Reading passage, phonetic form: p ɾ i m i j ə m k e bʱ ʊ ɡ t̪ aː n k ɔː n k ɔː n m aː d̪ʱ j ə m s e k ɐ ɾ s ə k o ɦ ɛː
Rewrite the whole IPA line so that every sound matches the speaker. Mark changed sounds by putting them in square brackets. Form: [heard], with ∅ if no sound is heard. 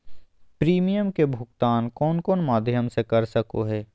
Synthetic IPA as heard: p ɾ [iː] m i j ə m k e bʱ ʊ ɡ t̪ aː n k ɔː n k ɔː n m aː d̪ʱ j ə m s e k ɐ ɾ s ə k o ɦ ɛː